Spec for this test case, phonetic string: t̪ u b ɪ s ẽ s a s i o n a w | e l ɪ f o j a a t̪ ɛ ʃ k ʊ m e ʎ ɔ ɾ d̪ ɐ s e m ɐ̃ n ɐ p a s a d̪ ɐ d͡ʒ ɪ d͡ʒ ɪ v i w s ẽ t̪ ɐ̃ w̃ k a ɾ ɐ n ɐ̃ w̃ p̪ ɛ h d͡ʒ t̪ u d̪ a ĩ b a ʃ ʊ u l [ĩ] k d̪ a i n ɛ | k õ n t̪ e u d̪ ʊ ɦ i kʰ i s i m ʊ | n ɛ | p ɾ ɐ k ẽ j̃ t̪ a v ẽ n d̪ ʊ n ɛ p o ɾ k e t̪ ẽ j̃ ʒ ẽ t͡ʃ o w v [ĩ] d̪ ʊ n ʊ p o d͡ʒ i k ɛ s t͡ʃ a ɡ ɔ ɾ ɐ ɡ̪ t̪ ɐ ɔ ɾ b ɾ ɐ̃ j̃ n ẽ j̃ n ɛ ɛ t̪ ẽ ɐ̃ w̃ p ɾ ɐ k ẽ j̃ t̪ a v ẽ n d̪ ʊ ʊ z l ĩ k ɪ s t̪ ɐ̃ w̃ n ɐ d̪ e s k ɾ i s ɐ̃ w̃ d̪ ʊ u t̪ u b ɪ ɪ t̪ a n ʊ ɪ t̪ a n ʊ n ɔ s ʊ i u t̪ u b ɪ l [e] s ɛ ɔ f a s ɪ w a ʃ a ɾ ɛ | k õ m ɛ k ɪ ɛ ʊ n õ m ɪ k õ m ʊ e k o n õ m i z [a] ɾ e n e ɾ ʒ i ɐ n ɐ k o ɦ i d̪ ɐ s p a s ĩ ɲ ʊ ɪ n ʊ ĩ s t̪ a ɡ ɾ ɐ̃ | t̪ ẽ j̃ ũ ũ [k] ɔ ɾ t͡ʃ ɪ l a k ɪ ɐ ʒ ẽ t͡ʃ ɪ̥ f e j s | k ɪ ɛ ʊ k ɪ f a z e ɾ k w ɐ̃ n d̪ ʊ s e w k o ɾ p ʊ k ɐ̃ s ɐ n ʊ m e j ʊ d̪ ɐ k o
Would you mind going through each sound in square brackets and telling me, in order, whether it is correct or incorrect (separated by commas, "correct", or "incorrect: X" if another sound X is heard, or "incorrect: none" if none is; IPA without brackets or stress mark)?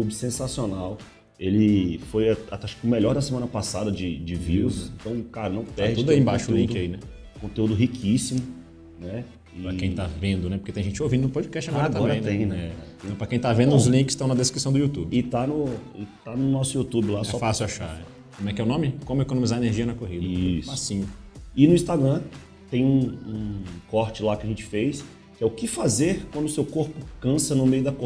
correct, correct, incorrect: a, correct, correct